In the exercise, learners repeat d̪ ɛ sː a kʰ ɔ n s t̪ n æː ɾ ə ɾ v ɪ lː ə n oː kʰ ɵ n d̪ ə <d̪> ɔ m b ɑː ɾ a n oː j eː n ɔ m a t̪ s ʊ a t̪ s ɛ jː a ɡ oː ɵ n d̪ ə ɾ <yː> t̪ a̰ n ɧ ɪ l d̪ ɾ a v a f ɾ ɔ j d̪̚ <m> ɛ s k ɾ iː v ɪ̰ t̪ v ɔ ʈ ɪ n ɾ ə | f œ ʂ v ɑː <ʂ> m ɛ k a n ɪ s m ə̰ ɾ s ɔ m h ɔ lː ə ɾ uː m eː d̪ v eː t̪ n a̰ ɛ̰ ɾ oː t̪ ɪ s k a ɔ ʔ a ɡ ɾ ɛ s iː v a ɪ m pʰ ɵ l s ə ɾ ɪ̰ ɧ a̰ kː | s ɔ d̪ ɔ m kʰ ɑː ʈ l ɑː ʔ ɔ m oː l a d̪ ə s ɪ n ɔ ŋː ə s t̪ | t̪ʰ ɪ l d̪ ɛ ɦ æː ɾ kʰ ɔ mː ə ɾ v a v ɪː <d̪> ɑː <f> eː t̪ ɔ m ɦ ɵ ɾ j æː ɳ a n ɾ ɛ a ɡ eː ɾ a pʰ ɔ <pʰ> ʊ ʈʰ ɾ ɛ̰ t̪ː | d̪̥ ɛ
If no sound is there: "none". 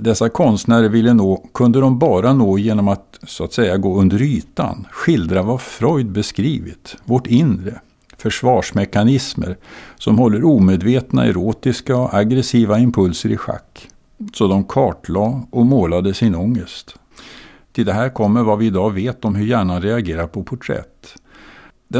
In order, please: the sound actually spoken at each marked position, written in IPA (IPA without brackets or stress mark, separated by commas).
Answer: d̪, yː, b, ʂ, d̪, v, pʰ